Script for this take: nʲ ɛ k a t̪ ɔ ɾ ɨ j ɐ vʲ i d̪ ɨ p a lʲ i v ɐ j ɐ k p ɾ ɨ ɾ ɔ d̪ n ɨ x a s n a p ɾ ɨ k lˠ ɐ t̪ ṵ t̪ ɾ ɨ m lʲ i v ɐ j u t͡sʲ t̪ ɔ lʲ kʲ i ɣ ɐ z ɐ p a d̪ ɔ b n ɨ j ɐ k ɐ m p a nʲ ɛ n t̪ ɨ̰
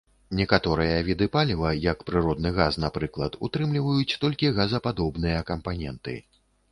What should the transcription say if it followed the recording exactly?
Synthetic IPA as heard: nʲ ɛ k a t̪ ɔ ɾ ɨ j ɐ vʲ i d̪ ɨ p a lʲ i v ɐ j ɐ k p ɾ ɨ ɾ ɔ d̪ n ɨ ɣ a s n a p ɾ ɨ k lˠ ɐ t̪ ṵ t̪ ɾ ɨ m lʲ i v ɐ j u t͡sʲ t̪ ɔ lʲ kʲ i ɣ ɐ z ɐ p a d̪ ɔ b n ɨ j ɐ k ɐ m p a nʲ ɛ n t̪ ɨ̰